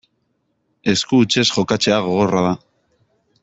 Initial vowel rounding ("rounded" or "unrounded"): unrounded